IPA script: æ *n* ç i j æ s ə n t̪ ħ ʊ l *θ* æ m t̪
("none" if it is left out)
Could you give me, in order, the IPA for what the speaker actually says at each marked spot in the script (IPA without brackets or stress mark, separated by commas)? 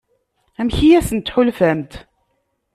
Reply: m, f